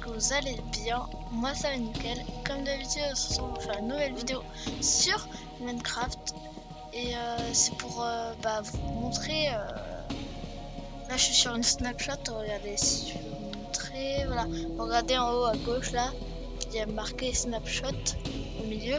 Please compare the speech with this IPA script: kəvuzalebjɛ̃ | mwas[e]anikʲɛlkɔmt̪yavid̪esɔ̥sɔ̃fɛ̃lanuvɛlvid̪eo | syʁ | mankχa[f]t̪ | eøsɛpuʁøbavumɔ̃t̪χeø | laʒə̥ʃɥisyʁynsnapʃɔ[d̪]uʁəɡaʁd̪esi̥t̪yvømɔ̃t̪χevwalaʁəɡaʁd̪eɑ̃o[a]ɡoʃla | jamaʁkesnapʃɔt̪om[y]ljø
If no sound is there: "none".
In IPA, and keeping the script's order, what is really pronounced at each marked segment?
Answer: a, f, t̪, a, i

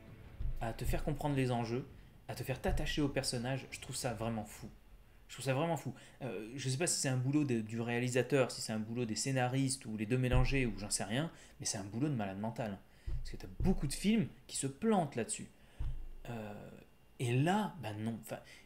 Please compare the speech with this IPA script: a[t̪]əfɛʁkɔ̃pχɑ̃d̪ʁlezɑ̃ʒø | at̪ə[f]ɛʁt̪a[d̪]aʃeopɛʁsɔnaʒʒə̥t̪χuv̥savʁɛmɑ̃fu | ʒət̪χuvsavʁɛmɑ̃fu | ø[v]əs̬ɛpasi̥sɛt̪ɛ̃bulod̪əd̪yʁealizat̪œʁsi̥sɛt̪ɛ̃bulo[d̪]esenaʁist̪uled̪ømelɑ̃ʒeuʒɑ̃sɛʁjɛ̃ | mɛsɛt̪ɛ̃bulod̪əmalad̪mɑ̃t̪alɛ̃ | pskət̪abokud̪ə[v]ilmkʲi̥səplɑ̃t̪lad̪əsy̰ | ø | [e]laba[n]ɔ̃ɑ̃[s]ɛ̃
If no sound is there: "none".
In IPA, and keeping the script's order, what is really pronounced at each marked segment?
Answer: t̪, f, t̪, ʒ, d̪, f, e, n, f

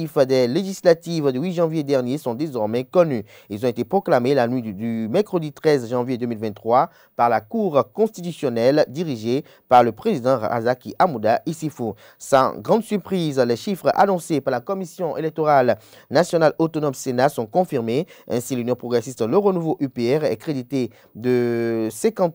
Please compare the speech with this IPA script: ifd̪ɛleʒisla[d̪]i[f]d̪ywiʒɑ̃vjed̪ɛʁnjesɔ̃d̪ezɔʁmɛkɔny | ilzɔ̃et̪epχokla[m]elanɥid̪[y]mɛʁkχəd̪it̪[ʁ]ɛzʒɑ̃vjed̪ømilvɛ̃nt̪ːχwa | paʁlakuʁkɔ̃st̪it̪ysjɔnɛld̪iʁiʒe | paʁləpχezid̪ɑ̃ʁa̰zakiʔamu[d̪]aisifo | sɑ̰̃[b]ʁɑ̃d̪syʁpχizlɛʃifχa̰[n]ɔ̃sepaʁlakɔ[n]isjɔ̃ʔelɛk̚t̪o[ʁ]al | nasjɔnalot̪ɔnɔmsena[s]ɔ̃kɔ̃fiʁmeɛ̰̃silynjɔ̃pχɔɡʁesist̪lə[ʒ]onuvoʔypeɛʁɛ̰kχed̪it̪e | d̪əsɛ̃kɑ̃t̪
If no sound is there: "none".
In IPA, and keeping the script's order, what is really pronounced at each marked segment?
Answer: t̪, v, m, y, χ, d̪, ɡ, n, m, ʁ, s, ʁ

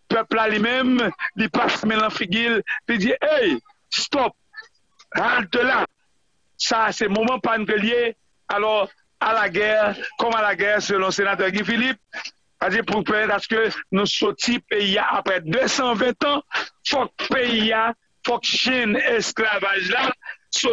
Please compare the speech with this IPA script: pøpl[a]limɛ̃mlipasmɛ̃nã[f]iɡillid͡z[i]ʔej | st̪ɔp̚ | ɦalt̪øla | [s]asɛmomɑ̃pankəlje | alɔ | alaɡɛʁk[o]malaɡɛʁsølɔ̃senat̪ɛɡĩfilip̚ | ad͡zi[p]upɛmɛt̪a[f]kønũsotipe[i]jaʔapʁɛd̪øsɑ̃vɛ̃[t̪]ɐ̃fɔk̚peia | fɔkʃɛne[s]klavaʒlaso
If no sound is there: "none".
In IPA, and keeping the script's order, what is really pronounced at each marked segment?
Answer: a, f, i, s, ɔ, p, s, i, t̪, s

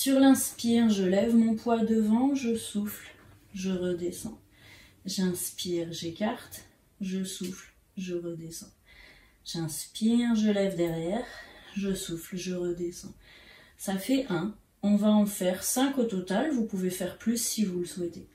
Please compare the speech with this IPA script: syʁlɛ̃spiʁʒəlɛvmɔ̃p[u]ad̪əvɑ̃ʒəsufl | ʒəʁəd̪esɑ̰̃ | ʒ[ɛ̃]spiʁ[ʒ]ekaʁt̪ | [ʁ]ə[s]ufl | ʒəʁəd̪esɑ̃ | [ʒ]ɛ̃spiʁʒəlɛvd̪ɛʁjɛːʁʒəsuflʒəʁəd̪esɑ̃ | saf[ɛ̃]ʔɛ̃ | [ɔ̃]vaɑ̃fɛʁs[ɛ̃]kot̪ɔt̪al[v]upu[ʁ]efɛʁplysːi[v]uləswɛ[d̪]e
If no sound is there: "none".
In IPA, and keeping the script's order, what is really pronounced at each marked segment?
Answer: w, ɛ̃, ʒ, ʒ, s, ʒ, ɛ, ɔ̃, ɛ̃, v, v, v, t̪

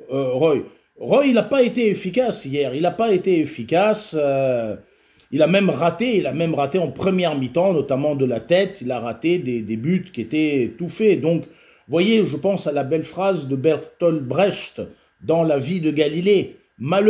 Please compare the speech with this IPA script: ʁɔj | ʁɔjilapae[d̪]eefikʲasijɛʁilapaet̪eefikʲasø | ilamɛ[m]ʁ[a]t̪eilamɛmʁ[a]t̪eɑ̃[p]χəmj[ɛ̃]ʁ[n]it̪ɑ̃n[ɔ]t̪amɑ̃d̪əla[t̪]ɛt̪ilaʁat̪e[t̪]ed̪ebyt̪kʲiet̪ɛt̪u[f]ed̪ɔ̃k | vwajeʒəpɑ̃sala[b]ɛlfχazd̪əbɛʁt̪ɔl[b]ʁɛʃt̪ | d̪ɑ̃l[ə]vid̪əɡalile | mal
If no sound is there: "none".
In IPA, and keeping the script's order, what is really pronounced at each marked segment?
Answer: t̪, m, a, a, p, ɛ, m, ɔ, t̪, d̪, f, b, b, a

